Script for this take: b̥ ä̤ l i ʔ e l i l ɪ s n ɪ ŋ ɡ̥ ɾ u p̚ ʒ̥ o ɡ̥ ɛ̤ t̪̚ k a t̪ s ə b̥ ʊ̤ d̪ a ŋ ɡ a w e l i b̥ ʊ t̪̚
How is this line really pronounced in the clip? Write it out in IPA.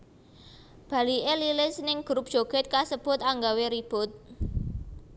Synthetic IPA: b̥ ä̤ l i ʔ e l i l ɪ s n ɪ ŋ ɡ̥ ɾ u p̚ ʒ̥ o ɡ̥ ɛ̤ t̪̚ k a s ə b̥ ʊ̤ t̪ a ŋ ɡ a w e ɾ i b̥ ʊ t̪̚